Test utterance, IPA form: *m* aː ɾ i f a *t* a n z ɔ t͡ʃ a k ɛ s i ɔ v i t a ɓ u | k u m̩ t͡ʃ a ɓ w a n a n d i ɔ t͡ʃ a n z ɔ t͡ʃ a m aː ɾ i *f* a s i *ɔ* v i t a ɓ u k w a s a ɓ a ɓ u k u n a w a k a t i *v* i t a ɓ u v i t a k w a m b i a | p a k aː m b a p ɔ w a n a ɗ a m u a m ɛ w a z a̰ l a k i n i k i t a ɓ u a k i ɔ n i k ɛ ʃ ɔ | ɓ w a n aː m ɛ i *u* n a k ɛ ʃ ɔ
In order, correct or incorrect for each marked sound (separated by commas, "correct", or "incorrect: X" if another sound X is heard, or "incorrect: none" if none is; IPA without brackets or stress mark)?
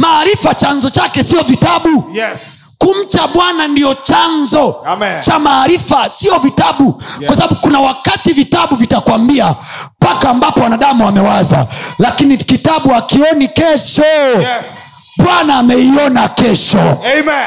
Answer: correct, incorrect: t͡ʃ, correct, correct, correct, incorrect: ɔ